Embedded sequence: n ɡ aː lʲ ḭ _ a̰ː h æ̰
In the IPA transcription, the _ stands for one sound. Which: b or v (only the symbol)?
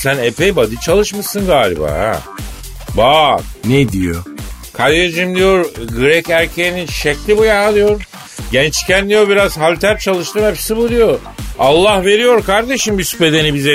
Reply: b